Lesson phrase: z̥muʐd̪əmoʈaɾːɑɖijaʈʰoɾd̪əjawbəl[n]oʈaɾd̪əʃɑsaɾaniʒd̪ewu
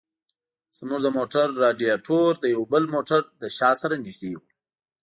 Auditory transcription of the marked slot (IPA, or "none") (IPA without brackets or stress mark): m